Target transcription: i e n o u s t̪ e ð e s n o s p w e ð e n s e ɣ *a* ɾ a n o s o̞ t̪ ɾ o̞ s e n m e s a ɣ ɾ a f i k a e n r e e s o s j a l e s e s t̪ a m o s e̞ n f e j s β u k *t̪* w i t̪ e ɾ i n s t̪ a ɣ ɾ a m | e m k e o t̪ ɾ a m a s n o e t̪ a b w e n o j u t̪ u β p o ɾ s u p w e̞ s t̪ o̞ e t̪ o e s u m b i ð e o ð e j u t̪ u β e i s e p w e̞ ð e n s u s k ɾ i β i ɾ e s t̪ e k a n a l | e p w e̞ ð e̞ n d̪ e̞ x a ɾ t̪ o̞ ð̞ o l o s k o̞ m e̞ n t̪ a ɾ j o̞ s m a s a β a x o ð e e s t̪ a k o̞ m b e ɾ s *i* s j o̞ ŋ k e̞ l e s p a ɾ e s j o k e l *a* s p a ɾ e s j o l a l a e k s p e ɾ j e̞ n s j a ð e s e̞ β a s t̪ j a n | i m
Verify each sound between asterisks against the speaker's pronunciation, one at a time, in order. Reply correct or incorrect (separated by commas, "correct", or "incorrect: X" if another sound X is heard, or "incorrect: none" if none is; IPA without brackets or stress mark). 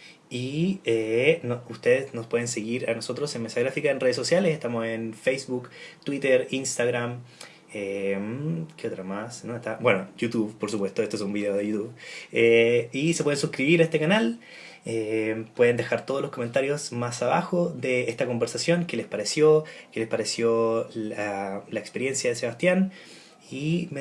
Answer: incorrect: i, correct, incorrect: a, incorrect: e